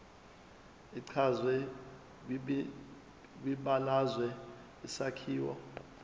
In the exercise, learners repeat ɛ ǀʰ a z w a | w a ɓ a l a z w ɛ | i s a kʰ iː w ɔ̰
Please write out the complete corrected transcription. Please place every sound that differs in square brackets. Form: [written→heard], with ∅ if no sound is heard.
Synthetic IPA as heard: [ɛ→i] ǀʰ a z w [a→ɛ] | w [a→i] ɓ a l a z w ɛ | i s a kʰ iː w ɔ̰